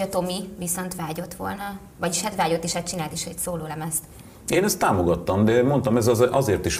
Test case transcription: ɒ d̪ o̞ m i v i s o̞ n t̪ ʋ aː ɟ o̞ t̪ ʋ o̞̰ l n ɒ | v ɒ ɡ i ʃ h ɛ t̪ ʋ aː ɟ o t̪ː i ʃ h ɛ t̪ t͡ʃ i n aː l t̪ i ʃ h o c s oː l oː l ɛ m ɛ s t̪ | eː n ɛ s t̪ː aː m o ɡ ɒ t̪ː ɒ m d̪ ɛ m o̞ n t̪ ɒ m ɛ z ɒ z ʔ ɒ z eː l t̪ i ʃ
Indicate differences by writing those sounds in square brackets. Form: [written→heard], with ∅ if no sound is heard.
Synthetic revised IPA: ɒ [d̪→t̪] o̞ m i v i s o̞ n t̪ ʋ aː ɟ o̞ t̪ ʋ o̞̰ l n ɒ | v ɒ [ɡ→ɟ] i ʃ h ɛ t̪ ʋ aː ɟ o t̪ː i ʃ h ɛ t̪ t͡ʃ i n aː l t̪ i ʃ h o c s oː l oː l ɛ m ɛ s t̪ | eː n ɛ s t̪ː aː m o ɡ ɒ t̪ː ɒ m d̪ ɛ m o̞ n t̪ ɒ m ɛ z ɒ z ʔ ɒ z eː [l→r] t̪ i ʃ